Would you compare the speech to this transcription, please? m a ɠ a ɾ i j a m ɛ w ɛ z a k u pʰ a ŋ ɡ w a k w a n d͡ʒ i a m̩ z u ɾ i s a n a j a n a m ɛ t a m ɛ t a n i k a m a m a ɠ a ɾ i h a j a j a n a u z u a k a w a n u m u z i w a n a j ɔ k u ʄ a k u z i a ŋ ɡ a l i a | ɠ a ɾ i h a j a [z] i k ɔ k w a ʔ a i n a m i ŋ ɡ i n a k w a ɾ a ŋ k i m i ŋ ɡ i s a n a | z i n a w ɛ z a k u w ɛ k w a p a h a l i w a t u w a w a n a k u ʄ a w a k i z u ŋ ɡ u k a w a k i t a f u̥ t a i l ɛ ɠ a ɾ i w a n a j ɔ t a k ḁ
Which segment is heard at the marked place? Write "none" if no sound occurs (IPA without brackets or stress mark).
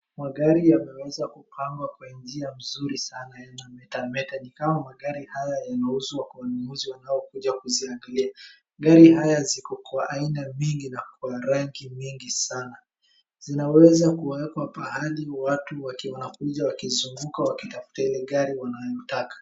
z